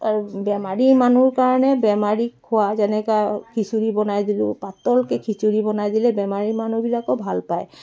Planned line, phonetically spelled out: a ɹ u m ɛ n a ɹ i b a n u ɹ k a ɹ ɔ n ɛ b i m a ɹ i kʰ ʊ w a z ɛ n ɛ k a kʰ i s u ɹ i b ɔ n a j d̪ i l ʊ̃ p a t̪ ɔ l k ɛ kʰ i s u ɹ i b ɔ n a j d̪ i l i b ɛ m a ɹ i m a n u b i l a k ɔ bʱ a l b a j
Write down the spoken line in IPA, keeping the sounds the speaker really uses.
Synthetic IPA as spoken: a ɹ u b ɛ m a ɹ i m a n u ɹ k a ɹ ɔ n ɛ b ɛ m a ɹ i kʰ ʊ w a z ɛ n ɛ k a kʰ i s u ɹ i b ɔ n a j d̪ i l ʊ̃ p a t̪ ɔ l k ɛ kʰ i s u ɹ i b ɔ n a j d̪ i l ɛ b ɛ m a ɹ i m a n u b i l a k ɔ bʱ a l p a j